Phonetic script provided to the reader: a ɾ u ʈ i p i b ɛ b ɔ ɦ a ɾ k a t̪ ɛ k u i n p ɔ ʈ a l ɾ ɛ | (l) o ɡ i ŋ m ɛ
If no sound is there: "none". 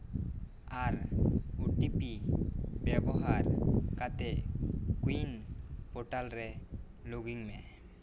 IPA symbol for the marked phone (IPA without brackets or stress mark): l